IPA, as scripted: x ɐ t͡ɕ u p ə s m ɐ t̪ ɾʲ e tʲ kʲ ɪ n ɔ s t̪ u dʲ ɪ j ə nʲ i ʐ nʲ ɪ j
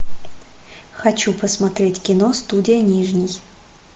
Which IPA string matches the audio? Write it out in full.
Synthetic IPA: x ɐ t͡ɕ u p ə s m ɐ t̪ ɾʲ e tʲ kʲ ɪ n o s t̪ u dʲ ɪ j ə nʲ i ʐ nʲ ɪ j